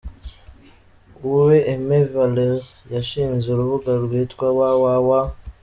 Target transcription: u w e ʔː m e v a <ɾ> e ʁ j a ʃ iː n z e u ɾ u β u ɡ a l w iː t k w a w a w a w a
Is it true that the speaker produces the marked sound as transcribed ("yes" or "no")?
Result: no